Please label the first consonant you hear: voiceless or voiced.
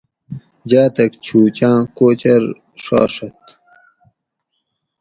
voiced